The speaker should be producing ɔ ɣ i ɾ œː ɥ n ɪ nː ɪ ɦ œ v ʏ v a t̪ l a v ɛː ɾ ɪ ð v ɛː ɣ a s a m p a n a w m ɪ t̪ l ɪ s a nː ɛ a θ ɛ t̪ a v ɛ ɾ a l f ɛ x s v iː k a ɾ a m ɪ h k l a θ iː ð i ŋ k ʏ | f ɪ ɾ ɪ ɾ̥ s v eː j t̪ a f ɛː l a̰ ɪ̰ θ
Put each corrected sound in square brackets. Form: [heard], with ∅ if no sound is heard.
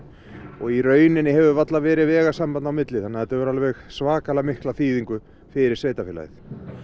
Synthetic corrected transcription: ɔ ɣ i ɾ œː ɥ n ɪ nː ɪ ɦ [ɛ] v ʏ v a t̪ l a v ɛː ɾ ɪ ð v ɛː ɣ a s a m p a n a w m ɪ t̪ l ɪ [θ] a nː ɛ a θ ɛ t̪ a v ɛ ɾ a l [v] ɛ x s v [aː] k a [l] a m ɪ h k l a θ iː ð i ŋ k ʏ | f ɪ ɾ ɪ ɾ̥ s v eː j t̪ a f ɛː l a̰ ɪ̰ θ